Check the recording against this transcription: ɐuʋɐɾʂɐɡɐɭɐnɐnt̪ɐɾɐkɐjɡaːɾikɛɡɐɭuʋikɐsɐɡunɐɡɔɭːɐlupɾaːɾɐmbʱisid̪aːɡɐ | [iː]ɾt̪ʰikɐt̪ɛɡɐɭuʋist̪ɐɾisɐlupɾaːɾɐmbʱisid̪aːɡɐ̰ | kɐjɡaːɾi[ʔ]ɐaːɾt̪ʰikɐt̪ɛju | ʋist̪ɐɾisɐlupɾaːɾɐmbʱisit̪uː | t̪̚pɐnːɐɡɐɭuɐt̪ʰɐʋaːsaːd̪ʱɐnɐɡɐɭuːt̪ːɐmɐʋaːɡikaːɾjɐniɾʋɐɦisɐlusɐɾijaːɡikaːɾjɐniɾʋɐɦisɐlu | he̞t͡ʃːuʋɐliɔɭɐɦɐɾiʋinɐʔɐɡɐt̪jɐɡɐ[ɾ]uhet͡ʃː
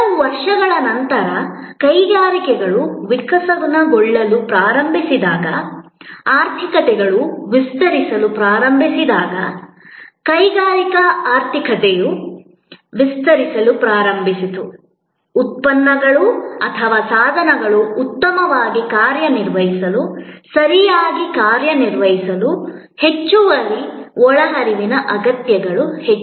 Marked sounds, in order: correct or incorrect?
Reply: incorrect: aː, incorrect: k, incorrect: ɭ

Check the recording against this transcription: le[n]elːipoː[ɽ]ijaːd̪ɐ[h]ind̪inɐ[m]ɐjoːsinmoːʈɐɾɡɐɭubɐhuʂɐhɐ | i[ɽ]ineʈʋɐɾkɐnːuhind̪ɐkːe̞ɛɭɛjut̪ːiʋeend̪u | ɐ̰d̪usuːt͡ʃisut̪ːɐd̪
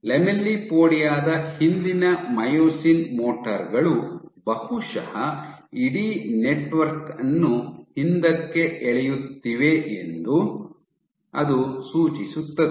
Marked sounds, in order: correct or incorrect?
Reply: incorrect: m, correct, correct, correct, correct

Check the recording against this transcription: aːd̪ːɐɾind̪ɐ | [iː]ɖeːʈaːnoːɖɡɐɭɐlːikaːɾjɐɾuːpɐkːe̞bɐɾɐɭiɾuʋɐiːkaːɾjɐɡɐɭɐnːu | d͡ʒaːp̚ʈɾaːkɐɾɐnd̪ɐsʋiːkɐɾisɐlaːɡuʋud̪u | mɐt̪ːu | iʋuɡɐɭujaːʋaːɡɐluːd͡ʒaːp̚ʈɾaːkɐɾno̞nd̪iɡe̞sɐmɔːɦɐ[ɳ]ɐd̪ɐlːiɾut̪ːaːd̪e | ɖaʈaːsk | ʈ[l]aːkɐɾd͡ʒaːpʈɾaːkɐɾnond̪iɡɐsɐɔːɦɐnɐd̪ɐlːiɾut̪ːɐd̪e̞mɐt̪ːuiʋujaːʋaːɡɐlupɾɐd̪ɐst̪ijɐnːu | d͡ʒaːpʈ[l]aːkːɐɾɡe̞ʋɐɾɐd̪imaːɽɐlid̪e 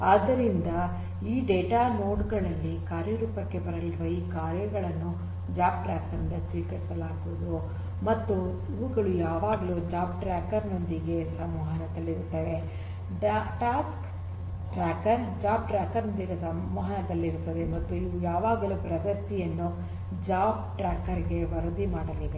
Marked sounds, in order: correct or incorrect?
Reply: correct, incorrect: n, incorrect: ɾ, incorrect: ɾ

